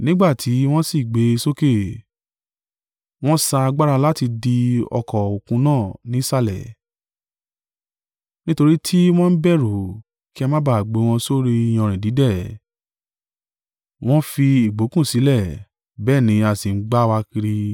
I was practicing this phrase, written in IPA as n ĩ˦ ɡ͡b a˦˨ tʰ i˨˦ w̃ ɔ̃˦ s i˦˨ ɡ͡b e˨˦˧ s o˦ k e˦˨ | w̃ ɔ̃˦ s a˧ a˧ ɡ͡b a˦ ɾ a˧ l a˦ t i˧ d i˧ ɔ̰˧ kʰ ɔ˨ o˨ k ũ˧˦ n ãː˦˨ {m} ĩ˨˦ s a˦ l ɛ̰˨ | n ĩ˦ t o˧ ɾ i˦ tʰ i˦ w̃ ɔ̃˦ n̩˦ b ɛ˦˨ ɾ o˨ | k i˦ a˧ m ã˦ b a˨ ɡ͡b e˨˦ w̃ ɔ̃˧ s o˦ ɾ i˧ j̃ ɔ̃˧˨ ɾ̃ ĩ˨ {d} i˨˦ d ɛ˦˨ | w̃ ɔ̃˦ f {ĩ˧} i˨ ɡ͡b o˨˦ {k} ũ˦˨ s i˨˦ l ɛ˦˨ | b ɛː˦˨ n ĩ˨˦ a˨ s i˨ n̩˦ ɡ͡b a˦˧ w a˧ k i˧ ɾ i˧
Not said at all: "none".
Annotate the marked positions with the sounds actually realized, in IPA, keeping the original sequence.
n, d, i˧, k

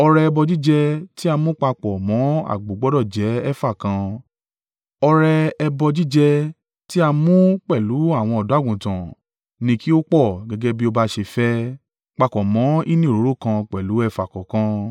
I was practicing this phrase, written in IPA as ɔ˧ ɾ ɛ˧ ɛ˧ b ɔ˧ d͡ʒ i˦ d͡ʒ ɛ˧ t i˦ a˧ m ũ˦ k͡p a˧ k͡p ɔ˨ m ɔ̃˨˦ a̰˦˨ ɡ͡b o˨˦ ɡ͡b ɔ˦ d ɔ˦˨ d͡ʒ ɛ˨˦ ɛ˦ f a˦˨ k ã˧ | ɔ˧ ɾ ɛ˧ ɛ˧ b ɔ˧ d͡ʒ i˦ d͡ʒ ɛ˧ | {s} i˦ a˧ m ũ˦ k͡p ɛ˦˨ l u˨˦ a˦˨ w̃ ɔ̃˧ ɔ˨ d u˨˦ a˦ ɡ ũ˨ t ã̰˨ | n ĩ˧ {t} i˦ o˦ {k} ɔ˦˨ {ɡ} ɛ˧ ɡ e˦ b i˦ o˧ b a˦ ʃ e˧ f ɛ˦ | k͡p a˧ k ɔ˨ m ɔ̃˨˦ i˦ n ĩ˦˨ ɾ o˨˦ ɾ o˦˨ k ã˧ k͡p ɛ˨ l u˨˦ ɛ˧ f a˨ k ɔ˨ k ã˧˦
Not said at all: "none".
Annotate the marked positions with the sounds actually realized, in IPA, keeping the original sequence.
t, k, k͡p, ɡ

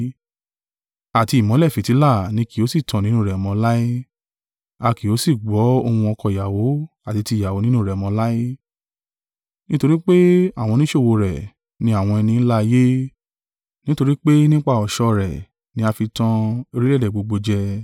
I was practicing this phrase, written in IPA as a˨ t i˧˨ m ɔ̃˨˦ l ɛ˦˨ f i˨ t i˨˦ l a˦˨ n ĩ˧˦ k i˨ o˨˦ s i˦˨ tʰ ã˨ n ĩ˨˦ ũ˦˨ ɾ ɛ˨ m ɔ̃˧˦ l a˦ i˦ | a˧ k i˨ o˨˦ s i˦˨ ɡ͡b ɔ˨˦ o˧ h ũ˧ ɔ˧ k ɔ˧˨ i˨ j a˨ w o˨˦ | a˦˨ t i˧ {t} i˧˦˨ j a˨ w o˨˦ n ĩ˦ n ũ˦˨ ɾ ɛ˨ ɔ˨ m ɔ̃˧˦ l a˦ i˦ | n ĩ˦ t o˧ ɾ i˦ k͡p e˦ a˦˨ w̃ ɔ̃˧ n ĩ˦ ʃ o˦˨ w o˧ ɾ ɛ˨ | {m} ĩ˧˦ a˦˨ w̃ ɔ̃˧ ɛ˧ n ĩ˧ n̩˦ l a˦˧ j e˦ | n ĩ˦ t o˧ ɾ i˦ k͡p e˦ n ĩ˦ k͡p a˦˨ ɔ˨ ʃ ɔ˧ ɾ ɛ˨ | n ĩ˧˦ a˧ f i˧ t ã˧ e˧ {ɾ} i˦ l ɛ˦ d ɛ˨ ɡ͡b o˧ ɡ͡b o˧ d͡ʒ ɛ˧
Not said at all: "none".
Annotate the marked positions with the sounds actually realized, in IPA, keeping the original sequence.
t, n, ɾ

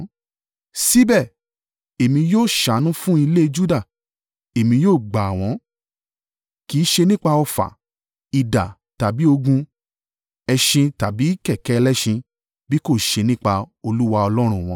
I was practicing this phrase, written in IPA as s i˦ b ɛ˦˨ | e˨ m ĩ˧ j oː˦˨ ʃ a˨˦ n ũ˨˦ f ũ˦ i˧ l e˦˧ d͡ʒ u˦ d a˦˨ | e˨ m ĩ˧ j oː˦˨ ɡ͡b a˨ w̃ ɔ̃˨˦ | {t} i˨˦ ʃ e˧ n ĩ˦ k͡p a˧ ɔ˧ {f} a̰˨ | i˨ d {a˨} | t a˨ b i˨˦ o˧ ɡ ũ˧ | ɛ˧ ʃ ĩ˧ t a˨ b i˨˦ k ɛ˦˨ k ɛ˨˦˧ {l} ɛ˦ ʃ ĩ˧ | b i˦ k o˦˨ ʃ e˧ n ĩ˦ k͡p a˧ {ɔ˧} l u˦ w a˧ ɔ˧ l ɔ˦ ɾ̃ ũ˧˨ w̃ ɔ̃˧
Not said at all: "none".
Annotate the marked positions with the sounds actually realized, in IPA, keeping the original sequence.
k, f, a˨, l, o˧

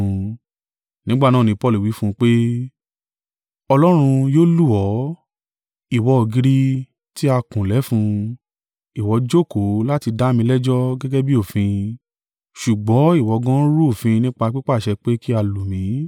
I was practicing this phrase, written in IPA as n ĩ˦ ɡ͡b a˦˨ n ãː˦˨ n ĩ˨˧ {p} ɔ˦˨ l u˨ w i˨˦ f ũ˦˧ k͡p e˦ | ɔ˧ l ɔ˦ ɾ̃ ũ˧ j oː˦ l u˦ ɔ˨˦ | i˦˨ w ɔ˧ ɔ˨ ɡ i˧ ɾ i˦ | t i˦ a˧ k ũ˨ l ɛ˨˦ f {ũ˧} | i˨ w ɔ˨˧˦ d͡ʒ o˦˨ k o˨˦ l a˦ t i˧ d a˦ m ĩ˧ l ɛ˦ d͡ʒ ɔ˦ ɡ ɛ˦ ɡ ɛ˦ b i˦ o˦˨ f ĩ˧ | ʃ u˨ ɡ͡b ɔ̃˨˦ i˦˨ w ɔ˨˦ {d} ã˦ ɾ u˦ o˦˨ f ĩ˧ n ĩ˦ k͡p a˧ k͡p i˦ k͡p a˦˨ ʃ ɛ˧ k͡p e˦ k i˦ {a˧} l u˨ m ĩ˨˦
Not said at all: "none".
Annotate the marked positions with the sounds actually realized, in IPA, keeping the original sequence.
p, ũ˧, ɡ, a˧

